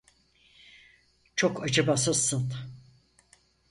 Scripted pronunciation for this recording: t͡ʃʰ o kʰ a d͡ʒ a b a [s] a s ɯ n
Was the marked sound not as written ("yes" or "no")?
no